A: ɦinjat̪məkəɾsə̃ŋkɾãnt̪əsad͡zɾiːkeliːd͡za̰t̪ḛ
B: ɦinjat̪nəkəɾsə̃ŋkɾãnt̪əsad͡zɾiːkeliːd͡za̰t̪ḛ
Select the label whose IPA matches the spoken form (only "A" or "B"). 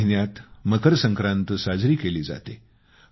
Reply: A